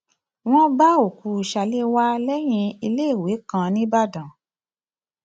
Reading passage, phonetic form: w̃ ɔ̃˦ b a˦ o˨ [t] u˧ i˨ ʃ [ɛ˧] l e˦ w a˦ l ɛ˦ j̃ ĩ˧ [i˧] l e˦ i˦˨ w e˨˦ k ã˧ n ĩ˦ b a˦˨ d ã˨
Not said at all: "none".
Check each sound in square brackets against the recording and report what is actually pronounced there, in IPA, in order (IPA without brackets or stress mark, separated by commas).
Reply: k, a˧, i˧